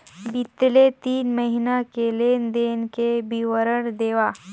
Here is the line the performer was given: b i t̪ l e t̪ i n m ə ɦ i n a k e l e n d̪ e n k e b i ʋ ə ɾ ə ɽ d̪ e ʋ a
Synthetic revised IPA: b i t̪ l e t̪ iː n m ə ɦ i n a k e l e n d̪ e n k e b i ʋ ə ɾ ə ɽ d̪ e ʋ a